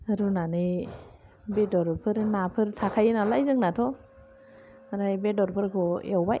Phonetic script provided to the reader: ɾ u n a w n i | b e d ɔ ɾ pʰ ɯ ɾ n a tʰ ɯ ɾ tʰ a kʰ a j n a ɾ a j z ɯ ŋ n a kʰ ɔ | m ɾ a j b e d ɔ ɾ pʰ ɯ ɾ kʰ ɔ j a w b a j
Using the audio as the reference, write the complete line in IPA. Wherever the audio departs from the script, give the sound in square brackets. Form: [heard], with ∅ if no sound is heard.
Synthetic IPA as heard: ɾ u n a [∅] n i | b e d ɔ ɾ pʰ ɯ ɾ n a [pʰ] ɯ ɾ tʰ a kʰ a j n a [l] a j z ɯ ŋ n a [tʰ] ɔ | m ɾ a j b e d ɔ ɾ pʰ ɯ ɾ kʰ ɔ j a w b a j